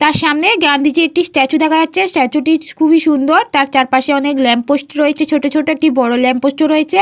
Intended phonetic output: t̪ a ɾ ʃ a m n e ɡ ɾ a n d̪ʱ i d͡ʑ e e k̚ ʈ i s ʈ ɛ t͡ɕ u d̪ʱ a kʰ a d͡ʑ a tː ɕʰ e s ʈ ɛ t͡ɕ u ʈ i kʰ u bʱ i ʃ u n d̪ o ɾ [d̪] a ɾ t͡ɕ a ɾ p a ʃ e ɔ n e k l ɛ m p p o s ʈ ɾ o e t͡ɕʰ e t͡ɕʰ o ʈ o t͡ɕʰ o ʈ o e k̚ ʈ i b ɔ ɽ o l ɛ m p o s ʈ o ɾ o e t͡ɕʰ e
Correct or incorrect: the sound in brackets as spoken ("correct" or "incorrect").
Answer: incorrect